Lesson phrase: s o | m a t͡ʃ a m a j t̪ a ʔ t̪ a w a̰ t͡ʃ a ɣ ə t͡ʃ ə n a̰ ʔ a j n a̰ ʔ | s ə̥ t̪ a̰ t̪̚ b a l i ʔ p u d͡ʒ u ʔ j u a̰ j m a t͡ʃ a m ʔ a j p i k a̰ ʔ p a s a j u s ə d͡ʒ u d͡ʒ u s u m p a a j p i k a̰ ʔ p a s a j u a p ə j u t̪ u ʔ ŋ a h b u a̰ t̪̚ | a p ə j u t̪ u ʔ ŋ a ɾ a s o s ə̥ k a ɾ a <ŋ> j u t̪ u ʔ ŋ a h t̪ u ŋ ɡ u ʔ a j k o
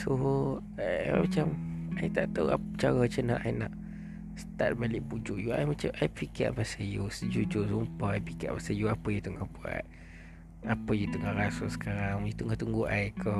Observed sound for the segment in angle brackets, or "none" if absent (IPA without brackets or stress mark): ŋ